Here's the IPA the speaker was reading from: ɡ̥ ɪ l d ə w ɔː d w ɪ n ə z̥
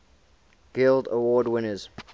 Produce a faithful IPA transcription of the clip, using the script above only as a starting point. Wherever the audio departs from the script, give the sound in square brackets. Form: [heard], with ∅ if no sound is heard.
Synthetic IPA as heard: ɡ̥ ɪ l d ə w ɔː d w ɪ n ə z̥

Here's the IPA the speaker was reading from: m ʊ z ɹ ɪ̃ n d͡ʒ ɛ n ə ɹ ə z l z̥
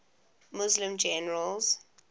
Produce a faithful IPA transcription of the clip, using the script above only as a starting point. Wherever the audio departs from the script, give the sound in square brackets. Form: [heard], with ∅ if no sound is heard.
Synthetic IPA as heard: m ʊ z [l] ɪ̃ [m] d͡ʒ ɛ n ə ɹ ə [∅] l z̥

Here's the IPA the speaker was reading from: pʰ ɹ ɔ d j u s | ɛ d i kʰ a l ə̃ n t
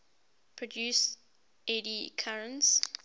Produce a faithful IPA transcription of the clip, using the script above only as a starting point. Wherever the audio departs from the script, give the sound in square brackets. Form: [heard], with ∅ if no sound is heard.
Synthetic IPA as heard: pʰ ɹ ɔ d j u s | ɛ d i kʰ a [ɹ] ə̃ n [s]

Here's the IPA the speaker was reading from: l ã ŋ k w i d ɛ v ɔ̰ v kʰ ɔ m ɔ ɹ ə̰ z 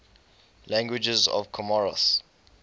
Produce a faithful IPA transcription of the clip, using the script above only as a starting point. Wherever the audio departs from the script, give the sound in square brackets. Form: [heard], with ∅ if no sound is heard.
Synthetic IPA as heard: l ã ŋ [ɡ] w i [d͡ʒ] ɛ [z] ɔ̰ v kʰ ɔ m ɔ ɹ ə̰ [s]

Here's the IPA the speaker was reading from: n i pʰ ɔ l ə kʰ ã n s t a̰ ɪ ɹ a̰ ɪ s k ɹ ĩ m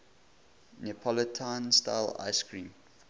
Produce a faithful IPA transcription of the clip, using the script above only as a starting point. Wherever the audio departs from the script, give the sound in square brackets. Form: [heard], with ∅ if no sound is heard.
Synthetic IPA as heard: n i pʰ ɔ l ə [tʰ] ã n s t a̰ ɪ [l] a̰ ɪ s k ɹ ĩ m

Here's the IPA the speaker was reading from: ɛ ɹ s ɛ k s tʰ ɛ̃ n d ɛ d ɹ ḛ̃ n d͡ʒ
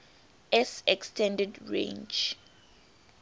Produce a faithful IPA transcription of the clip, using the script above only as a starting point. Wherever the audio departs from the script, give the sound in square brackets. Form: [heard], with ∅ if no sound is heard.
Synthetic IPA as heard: ɛ [∅] s ɛ k s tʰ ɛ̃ n d ɛ d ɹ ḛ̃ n d͡ʒ

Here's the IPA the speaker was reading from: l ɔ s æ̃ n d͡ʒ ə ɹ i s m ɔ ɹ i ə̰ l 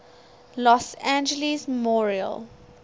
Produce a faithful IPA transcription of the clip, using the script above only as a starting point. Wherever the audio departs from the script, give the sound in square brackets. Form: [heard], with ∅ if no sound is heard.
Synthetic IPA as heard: l ɔ s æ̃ n d͡ʒ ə [l] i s m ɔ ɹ i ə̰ l

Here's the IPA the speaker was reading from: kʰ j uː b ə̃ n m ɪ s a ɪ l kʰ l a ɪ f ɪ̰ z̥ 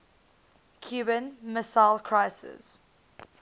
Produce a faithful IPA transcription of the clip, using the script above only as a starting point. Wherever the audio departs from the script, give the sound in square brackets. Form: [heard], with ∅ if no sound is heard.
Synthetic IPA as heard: kʰ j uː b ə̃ n m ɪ s a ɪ l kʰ [ɹ] a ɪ [s] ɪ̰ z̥

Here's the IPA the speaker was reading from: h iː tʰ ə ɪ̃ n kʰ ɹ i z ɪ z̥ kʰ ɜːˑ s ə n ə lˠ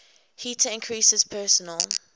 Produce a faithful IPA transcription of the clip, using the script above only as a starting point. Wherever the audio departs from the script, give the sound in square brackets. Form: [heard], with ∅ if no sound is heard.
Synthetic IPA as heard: h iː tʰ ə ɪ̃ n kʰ ɹ i [s] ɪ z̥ [pʰ] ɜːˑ s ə n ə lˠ

